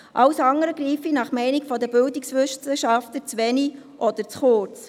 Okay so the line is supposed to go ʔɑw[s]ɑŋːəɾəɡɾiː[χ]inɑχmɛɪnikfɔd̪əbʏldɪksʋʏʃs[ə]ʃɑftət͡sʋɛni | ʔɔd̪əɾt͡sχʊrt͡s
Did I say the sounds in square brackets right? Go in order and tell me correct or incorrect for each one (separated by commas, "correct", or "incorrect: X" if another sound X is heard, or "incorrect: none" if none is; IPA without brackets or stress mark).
correct, incorrect: f, correct